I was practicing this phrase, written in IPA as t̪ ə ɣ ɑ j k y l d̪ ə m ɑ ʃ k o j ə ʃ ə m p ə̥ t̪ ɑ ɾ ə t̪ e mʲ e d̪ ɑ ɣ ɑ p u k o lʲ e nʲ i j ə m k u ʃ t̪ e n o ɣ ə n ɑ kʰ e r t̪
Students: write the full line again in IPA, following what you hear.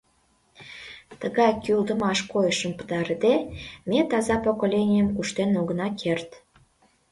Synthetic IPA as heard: t̪ ə ɣ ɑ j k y l d̪ ə m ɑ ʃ k o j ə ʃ ə m p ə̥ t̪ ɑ ɾ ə d̪ e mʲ e t̪ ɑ z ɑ p o k o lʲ e nʲ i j ə m k u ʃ t̪ e n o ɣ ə n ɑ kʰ e r t̪